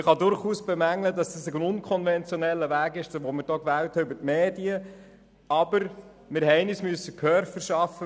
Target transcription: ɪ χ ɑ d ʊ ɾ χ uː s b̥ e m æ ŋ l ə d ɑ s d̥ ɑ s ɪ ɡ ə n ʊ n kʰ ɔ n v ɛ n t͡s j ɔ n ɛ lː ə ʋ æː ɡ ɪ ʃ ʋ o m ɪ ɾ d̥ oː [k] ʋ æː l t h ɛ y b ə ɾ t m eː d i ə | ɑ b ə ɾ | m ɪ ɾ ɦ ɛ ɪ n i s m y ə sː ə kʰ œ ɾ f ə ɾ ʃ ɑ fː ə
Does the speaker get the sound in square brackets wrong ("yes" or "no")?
no